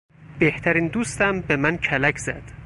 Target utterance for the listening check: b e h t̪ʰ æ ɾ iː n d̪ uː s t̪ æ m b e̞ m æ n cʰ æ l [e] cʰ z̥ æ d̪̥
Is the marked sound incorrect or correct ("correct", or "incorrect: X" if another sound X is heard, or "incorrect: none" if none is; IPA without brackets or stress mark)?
incorrect: æ